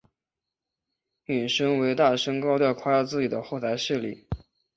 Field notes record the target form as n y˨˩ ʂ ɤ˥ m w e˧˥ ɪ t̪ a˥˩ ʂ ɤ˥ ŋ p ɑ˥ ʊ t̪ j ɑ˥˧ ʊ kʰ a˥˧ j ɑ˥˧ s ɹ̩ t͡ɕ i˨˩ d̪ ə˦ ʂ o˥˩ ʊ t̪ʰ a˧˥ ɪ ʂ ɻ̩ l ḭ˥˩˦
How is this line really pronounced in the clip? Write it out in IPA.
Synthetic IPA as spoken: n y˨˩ ʂ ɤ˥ ŋ w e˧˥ ɪ t̪ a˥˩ ʂ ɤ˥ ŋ k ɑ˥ ʊ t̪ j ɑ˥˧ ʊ kʰ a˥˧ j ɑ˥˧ t͡s ɹ̩ t͡ɕ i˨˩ d̪ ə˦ x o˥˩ ʊ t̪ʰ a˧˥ ɪ ʂ ɻ̩ l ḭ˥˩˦

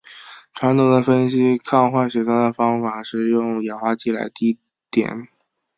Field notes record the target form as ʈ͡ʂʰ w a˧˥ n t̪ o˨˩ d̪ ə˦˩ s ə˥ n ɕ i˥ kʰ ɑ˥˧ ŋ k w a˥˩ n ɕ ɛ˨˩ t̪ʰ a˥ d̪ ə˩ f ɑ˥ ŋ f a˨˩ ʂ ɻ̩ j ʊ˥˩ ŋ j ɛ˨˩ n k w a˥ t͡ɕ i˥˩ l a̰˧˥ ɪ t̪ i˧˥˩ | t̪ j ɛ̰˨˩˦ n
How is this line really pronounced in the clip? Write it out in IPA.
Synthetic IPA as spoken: ʈ͡ʂʰ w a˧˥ n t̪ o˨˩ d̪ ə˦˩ f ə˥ n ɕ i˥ kʰ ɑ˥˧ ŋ x w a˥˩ n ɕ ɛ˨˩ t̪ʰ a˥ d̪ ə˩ f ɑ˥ ŋ f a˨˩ ʂ ɻ̩ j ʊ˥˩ ŋ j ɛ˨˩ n x w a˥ t͡ɕ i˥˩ l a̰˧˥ ɪ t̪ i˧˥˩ | t̪ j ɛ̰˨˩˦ n

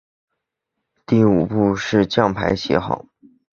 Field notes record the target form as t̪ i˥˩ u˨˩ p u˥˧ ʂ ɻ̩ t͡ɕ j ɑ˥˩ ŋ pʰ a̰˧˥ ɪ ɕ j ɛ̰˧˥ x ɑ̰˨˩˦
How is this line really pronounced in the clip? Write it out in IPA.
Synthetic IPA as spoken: t̪ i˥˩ u˨˩ p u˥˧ ʂ ɻ̩ t͡ɕ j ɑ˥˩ ŋ pʰ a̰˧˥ ɪ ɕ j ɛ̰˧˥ x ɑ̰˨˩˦

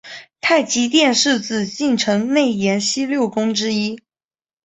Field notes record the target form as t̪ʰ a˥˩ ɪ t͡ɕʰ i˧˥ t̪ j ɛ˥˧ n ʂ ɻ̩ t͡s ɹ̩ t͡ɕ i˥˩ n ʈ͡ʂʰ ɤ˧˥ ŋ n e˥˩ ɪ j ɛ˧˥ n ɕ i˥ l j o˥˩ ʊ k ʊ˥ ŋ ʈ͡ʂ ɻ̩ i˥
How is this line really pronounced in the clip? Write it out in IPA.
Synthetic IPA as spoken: t̪ʰ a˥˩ ɪ t͡ɕ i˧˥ t̪ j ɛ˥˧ n ʂ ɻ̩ t͡s ɹ̩ t͡ɕ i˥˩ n ʈ͡ʂʰ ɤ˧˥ ŋ n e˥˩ ɪ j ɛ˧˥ n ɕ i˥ l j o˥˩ ʊ k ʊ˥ ŋ ʈ͡ʂ ɻ̩ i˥

